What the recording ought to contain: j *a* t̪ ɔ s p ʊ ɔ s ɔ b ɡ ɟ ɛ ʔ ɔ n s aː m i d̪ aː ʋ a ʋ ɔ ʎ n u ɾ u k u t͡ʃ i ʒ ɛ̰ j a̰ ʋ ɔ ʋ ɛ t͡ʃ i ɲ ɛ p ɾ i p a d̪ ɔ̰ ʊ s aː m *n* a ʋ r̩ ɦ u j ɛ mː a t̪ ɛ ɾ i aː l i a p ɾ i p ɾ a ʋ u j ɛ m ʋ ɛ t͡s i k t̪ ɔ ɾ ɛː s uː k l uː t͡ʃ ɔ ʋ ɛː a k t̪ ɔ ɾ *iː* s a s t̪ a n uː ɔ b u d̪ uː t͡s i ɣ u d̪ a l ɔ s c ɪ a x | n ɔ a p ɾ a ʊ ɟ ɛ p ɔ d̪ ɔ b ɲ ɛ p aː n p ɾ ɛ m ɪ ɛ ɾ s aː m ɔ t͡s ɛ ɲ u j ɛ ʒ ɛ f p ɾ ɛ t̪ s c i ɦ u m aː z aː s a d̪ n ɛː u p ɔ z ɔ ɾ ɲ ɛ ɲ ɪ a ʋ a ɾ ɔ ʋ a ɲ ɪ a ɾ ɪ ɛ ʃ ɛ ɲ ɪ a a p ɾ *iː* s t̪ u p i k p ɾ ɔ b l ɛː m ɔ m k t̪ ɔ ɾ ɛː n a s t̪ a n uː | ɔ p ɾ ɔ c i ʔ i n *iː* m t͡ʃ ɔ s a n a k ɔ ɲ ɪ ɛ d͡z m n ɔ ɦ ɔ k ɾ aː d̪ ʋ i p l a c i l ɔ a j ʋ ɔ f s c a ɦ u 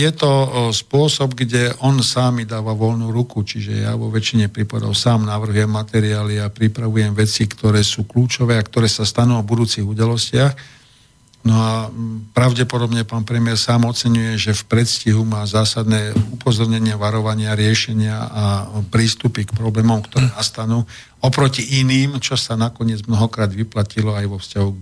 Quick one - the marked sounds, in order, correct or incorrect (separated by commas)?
incorrect, correct, incorrect, correct, correct